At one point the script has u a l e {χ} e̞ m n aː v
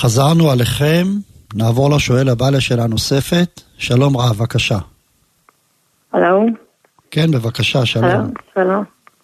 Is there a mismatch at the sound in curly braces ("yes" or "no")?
no